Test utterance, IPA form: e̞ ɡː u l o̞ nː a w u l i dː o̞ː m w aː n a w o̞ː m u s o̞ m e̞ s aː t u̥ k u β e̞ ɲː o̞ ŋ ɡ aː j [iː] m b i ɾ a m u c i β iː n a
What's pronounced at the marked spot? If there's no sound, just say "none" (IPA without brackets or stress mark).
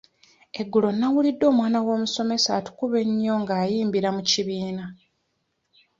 iː